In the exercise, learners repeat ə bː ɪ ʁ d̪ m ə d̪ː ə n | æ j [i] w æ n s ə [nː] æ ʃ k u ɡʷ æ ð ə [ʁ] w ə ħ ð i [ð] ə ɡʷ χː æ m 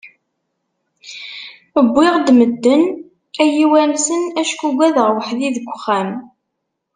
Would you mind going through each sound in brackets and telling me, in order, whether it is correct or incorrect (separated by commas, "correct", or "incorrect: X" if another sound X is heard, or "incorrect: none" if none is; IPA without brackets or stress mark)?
correct, incorrect: n, correct, correct